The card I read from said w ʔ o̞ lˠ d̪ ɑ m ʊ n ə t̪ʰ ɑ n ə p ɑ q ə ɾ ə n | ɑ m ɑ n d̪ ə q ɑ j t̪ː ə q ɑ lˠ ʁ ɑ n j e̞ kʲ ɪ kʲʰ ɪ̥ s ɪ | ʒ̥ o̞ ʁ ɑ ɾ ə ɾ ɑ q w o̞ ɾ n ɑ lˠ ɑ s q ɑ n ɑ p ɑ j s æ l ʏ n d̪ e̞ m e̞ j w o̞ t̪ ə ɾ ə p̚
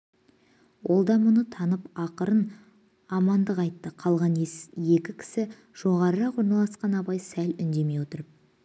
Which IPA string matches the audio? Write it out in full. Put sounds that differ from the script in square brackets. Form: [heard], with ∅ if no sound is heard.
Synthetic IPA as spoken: w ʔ o̞ lˠ d̪ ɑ m ʊ n ə t̪ʰ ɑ n ə p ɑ q ə ɾ ə n | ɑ m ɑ n d̪ ə q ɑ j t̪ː ə [qʰ] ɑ lˠ ʁ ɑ n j e̞ kʲ ɪ kʲʰ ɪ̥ s ɪ | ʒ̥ o̞ ʁ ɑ ɾ ə ɾ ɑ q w o̞ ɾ n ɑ lˠ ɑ s q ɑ n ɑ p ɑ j s æ l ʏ n d̪ e̞ m e̞ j w o̞ t̪ ə ɾ ə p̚